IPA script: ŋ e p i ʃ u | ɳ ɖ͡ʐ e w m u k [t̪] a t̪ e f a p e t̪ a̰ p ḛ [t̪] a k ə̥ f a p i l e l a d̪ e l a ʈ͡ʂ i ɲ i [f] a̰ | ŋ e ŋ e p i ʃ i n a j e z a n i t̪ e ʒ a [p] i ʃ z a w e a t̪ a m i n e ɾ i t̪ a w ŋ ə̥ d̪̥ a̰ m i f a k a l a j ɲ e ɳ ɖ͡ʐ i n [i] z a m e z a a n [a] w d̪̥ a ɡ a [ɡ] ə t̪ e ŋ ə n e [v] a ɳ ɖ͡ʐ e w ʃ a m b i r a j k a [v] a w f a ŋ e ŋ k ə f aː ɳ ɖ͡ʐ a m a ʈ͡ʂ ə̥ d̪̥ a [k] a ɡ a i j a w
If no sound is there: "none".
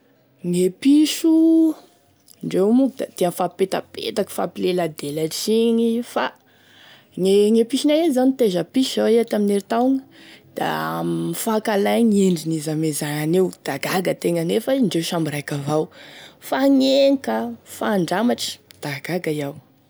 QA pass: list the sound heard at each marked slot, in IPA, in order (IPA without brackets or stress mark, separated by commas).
d̪, t̪, f, p, i, e, ɡ, f, v, ɡ